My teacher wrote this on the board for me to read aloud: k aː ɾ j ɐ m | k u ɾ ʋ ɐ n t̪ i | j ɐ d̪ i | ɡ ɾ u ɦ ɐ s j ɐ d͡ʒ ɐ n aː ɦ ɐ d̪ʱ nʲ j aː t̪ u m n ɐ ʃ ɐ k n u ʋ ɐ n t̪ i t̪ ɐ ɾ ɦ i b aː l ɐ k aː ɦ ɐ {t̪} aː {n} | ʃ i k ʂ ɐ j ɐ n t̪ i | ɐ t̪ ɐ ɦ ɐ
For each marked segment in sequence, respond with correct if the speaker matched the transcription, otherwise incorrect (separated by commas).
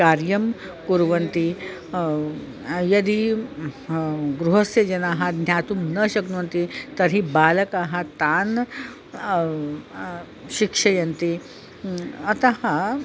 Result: correct, correct